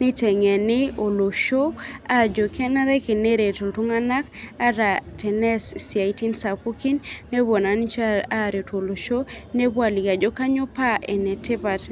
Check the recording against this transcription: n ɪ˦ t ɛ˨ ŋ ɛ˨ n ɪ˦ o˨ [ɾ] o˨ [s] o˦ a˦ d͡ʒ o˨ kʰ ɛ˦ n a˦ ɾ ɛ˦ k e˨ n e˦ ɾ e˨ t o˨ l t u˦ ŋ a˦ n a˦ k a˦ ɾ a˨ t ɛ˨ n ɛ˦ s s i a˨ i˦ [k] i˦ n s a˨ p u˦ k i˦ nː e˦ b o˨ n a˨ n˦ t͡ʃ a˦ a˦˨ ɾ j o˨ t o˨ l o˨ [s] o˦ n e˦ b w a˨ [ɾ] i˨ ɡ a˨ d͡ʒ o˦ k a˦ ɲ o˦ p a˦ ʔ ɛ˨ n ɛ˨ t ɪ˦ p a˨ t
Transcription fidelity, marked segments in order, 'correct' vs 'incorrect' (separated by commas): incorrect, incorrect, incorrect, incorrect, incorrect